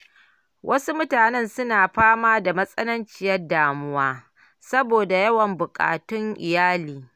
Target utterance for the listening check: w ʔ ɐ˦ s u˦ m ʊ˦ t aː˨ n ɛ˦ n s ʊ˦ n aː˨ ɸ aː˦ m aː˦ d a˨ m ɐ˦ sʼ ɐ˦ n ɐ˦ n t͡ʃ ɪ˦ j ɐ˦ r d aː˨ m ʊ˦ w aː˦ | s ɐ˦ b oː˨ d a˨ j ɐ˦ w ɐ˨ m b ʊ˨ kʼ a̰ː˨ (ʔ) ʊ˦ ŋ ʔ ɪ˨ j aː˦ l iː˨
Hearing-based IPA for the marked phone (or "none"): t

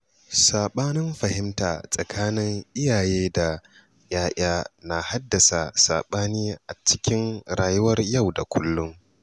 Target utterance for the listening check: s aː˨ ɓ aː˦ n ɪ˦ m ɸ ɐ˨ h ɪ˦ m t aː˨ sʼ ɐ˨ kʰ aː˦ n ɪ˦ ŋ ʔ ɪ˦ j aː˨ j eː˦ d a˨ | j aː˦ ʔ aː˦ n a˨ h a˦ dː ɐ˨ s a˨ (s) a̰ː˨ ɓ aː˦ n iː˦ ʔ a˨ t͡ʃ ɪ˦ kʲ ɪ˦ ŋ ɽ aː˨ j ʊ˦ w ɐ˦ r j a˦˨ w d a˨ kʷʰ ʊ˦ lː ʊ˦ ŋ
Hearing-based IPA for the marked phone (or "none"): s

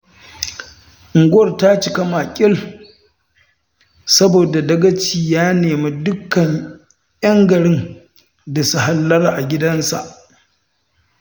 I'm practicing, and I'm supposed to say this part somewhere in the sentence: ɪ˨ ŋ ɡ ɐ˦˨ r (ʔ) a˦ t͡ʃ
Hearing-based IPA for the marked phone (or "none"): t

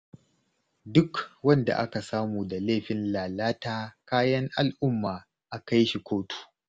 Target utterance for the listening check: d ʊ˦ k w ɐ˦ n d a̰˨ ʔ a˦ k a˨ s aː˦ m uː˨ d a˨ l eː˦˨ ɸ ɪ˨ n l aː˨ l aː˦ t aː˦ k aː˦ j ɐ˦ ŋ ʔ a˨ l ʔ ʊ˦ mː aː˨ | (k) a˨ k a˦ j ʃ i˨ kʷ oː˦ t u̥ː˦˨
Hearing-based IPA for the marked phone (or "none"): ʔ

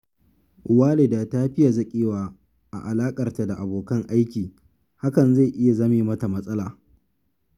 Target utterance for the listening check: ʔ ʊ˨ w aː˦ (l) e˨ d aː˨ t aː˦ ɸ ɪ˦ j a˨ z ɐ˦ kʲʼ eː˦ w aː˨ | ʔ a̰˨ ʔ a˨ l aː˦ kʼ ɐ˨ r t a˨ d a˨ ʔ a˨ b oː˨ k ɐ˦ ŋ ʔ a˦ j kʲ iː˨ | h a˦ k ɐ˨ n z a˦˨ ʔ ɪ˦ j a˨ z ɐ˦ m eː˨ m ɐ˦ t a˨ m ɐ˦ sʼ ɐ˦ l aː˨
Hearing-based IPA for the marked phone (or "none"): l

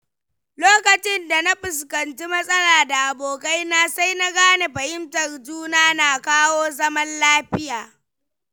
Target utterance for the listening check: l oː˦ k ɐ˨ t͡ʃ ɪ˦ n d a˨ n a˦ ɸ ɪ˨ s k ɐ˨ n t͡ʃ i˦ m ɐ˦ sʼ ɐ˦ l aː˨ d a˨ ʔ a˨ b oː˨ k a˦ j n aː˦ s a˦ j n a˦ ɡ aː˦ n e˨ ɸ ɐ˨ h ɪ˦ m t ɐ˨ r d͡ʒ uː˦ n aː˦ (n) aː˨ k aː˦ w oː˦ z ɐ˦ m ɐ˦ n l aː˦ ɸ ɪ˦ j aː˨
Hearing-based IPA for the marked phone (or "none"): n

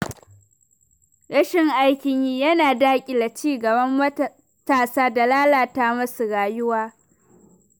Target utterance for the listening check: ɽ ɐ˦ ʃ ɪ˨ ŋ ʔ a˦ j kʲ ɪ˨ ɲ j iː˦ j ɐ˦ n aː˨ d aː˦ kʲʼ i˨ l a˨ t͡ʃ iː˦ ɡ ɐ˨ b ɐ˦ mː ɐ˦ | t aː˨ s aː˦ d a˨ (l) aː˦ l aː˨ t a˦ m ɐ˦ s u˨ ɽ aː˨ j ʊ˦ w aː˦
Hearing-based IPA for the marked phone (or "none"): l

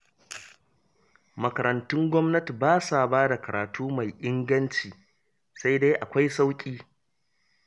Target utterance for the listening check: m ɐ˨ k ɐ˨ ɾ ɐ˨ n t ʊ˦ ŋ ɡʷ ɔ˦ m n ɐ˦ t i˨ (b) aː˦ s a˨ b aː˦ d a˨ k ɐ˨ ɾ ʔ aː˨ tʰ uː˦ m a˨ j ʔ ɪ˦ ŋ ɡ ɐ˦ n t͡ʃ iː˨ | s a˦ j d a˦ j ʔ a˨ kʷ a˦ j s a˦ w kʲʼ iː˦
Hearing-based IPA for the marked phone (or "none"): b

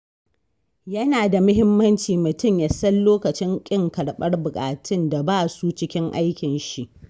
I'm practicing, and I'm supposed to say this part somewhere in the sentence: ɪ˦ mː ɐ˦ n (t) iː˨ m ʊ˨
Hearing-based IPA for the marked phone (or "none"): t͡ʃ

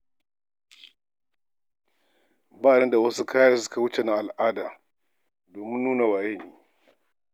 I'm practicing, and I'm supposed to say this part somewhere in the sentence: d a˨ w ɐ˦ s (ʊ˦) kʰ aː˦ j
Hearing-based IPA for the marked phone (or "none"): u˦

